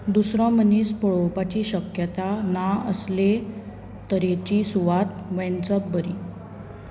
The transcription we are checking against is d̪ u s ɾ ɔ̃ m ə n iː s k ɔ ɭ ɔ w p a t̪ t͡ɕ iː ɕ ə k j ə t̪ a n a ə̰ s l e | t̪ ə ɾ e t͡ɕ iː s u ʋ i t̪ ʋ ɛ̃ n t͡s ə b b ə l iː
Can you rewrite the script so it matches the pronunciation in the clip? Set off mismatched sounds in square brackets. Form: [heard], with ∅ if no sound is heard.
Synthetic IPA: d̪ u s ɾ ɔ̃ m ə n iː s [p] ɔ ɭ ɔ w p a [∅] t͡ɕ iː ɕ ə k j ə t̪ a n a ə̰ s l e | t̪ ə ɾ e t͡ɕ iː s u ʋ [a] t̪ ʋ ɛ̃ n t͡s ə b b ə [ɾ] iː